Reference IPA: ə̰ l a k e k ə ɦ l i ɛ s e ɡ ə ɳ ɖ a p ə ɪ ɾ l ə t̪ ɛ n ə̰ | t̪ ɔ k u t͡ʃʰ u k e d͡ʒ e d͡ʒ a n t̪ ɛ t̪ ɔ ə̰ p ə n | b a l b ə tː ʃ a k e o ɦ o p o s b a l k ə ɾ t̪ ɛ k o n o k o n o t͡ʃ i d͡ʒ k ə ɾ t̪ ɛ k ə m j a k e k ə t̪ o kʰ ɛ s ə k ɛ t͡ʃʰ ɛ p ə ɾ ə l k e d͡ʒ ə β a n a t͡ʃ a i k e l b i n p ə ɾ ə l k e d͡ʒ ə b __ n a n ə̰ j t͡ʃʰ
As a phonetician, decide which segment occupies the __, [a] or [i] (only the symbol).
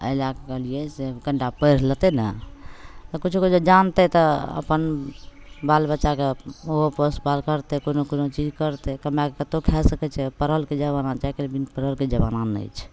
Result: a